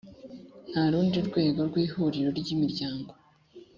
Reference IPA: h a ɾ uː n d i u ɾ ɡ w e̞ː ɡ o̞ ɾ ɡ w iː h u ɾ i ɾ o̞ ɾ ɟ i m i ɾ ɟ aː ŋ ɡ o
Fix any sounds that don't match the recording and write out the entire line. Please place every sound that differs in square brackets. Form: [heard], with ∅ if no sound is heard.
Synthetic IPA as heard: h a ɾ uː n d i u ɾ ɡ w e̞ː ɡ o̞ ɾ ɡ w iː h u ɾ i ɾ o̞ ɾ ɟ i m i ɾ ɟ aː ŋ ɡ o